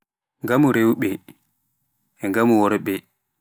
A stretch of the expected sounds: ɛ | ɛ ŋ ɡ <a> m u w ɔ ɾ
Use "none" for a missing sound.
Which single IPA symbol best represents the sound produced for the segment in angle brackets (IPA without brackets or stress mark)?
a